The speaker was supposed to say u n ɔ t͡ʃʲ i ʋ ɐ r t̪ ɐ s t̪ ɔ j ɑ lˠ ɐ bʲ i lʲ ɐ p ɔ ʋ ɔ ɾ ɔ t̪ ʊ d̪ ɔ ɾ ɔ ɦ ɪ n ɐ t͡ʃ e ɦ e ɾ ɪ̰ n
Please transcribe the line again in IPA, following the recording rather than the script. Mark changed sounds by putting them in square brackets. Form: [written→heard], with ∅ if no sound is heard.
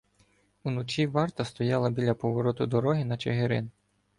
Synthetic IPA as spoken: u n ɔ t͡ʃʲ i ʋ [ɐ→ɑ] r t̪ ɐ s t̪ ɔ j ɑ lˠ ɐ bʲ i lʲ ɐ p ɔ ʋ ɔ ɾ ɔ t̪ ʊ d̪ ɔ ɾ ɔ ɦ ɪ n ɐ t͡ʃ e ɦ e ɾ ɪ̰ n